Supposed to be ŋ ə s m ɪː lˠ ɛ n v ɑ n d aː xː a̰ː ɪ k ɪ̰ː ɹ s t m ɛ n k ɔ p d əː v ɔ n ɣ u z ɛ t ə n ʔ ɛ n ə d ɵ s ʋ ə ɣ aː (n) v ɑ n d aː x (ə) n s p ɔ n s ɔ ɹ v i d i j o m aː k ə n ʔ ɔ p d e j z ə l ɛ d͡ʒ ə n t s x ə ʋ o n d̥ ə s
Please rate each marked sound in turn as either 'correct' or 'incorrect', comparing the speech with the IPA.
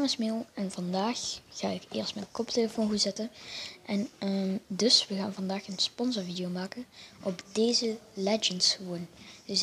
correct, correct

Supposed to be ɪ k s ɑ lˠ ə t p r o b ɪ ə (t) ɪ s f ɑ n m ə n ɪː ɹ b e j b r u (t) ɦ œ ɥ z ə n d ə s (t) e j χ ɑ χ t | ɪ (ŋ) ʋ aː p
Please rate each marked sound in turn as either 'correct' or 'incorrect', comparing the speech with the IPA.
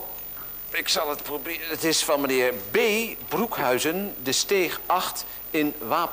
correct, incorrect: k, correct, incorrect: n

